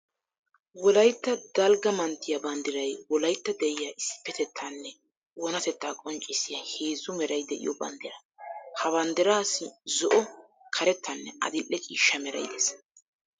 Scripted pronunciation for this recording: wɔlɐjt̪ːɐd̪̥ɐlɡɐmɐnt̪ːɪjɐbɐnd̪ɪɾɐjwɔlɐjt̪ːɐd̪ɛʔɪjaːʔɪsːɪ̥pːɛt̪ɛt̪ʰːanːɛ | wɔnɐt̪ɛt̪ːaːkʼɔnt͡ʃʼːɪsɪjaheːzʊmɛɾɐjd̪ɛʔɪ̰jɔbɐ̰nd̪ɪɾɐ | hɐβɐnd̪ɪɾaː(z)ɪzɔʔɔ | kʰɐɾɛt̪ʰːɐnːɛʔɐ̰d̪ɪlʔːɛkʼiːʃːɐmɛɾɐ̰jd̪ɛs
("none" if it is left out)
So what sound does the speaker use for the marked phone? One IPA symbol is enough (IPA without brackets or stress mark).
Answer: s